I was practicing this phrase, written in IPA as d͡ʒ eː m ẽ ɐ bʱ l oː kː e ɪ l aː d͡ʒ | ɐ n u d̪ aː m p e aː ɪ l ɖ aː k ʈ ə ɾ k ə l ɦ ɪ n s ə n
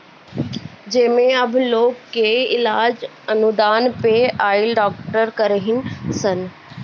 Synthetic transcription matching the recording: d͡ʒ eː m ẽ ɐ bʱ l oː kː e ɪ l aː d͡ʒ | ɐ n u d̪ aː n p e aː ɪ l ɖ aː k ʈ ə ɾ k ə ɾ ɦ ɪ n s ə n